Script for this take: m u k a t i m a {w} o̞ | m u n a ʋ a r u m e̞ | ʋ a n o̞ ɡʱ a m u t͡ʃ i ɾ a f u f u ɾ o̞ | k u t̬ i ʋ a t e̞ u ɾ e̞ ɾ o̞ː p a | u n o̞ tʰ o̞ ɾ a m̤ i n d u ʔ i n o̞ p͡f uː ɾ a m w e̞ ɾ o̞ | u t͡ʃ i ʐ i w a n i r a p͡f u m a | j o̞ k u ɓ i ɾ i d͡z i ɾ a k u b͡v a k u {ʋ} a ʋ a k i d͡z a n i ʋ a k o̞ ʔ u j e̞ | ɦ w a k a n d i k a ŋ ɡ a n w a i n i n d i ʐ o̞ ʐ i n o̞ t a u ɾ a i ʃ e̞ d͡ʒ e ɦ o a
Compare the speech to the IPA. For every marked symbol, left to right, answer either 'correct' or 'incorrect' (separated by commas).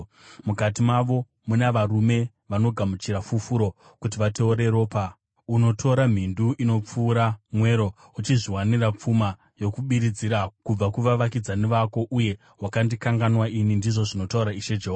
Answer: incorrect, correct